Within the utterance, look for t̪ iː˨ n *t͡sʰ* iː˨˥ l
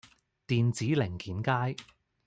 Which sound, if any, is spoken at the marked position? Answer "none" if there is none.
t͡s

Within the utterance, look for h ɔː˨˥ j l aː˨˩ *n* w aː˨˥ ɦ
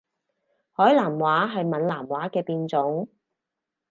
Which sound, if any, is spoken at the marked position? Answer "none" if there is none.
m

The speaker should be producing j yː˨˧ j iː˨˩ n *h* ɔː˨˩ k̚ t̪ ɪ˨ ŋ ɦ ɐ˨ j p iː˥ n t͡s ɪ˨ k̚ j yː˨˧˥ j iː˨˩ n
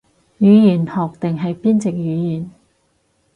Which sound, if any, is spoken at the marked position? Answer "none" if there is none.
h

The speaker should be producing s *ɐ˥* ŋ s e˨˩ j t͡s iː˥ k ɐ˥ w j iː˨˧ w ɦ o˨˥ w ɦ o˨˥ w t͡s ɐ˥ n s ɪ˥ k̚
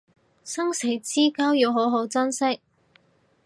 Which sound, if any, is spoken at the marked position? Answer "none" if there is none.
ɐ˥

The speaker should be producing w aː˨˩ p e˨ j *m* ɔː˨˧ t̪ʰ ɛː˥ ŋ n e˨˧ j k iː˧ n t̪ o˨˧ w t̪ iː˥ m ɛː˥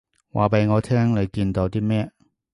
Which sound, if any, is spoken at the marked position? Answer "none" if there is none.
ŋ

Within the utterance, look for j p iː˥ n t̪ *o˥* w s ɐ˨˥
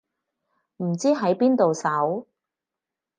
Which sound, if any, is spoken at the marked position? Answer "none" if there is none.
o˨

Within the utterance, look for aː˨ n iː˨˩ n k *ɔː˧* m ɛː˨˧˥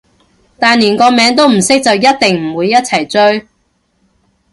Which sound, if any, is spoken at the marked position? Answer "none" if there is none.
ɔː˧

